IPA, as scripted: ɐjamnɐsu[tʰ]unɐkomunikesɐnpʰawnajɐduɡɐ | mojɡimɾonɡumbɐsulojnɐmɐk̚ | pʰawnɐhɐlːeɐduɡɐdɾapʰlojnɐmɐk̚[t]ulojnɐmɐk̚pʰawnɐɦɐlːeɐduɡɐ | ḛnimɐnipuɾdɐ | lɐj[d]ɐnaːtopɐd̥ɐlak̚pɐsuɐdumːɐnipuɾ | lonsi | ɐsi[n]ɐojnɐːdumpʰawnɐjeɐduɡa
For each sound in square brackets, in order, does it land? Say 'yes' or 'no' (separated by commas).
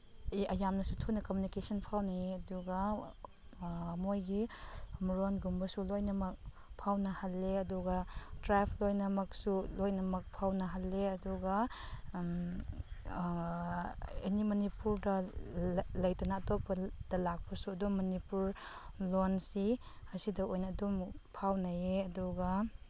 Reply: yes, no, no, no